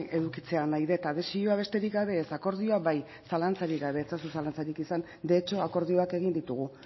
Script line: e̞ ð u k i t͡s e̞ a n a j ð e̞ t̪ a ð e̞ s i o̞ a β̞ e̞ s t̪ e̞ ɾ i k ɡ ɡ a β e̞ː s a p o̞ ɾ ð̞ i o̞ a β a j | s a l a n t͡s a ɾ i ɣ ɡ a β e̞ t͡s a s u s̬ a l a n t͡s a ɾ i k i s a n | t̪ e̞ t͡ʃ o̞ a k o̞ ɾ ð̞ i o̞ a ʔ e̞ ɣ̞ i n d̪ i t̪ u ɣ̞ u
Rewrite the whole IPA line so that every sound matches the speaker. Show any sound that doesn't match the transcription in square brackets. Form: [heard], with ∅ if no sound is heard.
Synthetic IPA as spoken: e̞ ð u k i t͡s e̞ a n a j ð e̞ t̪ a ð e̞ s i o̞ a β̞ e̞ s t̪ e̞ ɾ i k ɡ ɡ a β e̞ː s a [k] o̞ ɾ ð̞ i o̞ a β a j | s a l a n t͡s a ɾ i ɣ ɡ a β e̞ t͡s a s u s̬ a l a n t͡s a ɾ i k i s a n | [d̪] e̞ t͡ʃ o̞ a k o̞ ɾ ð̞ i o̞ a [k] e̞ ɣ̞ i n d̪ i t̪ u ɣ̞ u

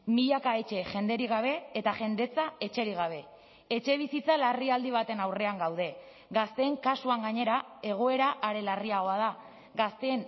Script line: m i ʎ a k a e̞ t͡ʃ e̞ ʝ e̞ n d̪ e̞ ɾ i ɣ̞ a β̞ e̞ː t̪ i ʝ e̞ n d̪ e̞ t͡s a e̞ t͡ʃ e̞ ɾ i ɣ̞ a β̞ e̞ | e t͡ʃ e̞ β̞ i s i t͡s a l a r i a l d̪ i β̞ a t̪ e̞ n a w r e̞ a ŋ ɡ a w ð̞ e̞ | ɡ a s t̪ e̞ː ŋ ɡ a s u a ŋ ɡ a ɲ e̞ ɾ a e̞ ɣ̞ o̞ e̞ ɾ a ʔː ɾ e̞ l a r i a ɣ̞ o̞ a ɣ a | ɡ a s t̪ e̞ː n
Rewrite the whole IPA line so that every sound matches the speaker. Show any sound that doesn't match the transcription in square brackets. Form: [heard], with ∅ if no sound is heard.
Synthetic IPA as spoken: m i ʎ a k a e̞ t͡ʃ e̞ ʝ e̞ n d̪ e̞ ɾ i ɣ̞ a β̞ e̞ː t̪ [a] ʝ e̞ n d̪ e̞ t͡s a e̞ t͡ʃ e̞ ɾ i ɣ̞ a β̞ e̞ | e t͡ʃ e̞ β̞ i s i t͡s a l a r i a l d̪ i β̞ a t̪ e̞ n a w r e̞ a ŋ ɡ a w ð̞ e̞ | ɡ a s t̪ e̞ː ŋ [k] a s u a ŋ ɡ a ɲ e̞ ɾ a e̞ ɣ̞ o̞ e̞ ɾ a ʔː ɾ e̞ l a r i a ɣ̞ o̞ a [ð] a | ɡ a s t̪ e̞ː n

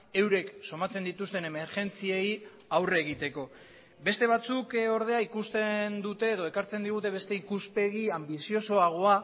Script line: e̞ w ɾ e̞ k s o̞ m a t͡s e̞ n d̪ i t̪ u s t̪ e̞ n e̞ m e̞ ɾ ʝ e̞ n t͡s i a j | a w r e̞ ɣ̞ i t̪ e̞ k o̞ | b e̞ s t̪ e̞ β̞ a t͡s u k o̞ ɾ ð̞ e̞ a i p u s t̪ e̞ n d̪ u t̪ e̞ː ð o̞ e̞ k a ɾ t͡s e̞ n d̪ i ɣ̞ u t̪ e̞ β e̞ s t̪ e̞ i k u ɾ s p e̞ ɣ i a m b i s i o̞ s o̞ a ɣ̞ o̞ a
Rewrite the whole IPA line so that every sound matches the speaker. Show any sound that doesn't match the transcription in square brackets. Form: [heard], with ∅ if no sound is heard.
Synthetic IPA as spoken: e̞ w ɾ e̞ k s o̞ m a t͡s e̞ n d̪ i t̪ u s t̪ e̞ n e̞ m e̞ ɾ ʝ e̞ n t͡s i [e] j | a w r e̞ ɣ̞ i t̪ e̞ k o̞ | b e̞ s t̪ e̞ β̞ a t͡s u k o̞ ɾ ð̞ e̞ a i [k] u s t̪ e̞ n d̪ u t̪ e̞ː ð o̞ e̞ k a ɾ t͡s e̞ n d̪ i ɣ̞ u t̪ e̞ β e̞ s t̪ e̞ i k u [∅] s p e̞ ɣ i a m b i s i o̞ s o̞ a ɣ̞ o̞ a

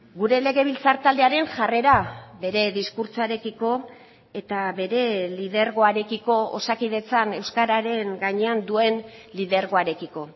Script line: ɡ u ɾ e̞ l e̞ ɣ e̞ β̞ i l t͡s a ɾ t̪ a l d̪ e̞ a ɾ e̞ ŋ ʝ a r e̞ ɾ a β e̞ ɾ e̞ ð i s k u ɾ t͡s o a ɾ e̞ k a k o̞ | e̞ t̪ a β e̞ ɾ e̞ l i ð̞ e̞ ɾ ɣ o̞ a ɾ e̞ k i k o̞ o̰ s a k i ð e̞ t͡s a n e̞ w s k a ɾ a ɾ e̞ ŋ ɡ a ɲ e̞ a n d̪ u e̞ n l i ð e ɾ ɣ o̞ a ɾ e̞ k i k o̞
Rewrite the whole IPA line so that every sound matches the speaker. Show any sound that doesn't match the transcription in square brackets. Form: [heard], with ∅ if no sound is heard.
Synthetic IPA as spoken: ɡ u ɾ e̞ l e̞ ɣ e̞ β̞ i l t͡s a ɾ t̪ a l d̪ e̞ a ɾ e̞ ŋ ʝ a r e̞ ɾ a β e̞ ɾ e̞ ð i s k u ɾ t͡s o a ɾ e̞ k [i] k o̞ | e̞ t̪ a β e̞ ɾ e̞ l i ð̞ e̞ ɾ ɣ o̞ a ɾ e̞ k i k o̞ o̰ s a k i ð e̞ t͡s a n e̞ w s k a ɾ a ɾ e̞ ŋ ɡ a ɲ e̞ a n d̪ u e̞ n l i ð e ɾ ɣ o̞ a ɾ e̞ k i k o̞

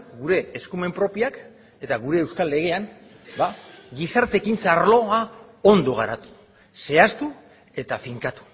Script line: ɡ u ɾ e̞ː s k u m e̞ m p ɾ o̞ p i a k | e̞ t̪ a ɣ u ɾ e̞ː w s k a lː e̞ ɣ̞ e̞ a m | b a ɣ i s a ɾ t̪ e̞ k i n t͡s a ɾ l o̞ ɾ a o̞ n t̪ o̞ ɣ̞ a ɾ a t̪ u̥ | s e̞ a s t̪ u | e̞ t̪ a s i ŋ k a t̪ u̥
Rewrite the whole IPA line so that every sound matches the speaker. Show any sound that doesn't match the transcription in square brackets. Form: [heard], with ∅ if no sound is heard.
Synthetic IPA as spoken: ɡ u ɾ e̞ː s k u m e̞ m p ɾ o̞ p i a k | e̞ t̪ a ɣ u ɾ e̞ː w s k a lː e̞ ɣ̞ e̞ a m | b a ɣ i s a ɾ t̪ e̞ k i n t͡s a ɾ l o̞ [∅] a o̞ n [d̪] o̞ ɣ̞ a ɾ a t̪ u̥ | s e̞ a s t̪ u | e̞ t̪ a [f] i ŋ k a t̪ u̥

